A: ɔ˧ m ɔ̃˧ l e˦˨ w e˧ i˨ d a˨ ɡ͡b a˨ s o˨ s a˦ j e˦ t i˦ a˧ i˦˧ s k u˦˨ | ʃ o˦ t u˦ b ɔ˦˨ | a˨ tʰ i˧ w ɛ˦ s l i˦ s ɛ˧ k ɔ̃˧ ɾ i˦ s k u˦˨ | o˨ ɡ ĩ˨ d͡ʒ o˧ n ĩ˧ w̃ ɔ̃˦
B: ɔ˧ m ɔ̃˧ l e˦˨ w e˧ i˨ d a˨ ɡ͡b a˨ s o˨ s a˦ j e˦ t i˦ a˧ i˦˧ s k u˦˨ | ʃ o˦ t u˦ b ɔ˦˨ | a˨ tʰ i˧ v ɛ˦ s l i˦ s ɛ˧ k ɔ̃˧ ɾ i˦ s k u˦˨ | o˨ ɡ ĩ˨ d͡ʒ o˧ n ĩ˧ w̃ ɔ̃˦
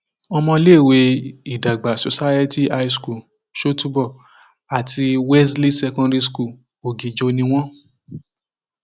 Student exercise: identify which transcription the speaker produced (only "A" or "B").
A